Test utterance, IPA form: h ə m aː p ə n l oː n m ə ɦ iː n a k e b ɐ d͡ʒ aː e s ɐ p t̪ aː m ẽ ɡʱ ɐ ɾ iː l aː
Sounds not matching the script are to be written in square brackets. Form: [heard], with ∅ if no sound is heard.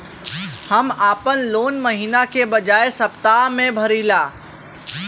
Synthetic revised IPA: h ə m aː p ə n l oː n m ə ɦ iː n a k e b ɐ d͡ʒ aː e s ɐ p t̪ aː m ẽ [bʱ] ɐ ɾ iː l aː